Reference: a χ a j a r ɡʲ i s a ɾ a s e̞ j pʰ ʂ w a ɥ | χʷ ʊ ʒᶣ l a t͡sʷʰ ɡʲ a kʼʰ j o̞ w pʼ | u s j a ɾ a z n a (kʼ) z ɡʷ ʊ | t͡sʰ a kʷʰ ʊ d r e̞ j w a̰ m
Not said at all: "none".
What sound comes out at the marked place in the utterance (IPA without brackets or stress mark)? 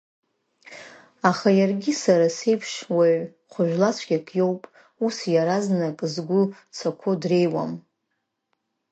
kʼ